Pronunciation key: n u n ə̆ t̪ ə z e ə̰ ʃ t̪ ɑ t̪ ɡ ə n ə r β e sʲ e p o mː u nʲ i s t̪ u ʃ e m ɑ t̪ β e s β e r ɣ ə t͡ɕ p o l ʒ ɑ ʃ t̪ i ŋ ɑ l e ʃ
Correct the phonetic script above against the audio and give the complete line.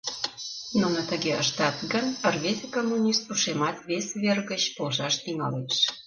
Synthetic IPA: n u n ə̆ t̪ ə ɣ e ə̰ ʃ t̪ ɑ t̪ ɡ ə n ə r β e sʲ e k o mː u nʲ i s t̪ u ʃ e m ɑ t̪ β e s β e r ɣ ə t͡ɕ p o l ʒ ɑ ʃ t̪ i ŋ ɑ l e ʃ